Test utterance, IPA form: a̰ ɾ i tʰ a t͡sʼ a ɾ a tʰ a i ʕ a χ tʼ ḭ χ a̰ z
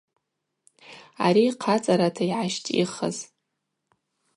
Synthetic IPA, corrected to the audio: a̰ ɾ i qʰ a t͡sʼ a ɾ a tʰ a i ʕ a ʃ tʼ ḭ χ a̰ z